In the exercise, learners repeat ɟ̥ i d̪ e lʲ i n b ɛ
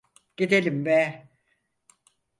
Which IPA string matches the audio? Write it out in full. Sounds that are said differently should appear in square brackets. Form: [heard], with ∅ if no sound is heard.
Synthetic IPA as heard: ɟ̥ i d̪ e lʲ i [m] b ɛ